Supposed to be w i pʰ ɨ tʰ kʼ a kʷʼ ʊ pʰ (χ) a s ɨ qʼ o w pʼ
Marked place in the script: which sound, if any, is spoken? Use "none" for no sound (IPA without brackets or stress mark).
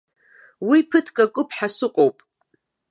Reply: ħ